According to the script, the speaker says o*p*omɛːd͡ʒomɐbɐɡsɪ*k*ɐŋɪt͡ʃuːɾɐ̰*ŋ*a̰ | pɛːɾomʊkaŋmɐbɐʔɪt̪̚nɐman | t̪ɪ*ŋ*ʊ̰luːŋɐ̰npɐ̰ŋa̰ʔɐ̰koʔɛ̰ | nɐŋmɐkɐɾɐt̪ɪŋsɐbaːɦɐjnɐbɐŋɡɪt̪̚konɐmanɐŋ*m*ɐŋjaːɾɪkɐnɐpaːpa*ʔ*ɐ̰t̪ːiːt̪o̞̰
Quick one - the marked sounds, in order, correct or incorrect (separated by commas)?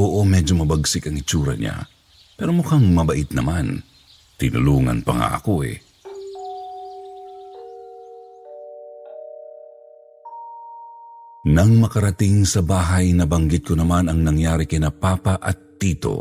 incorrect, correct, incorrect, incorrect, incorrect, correct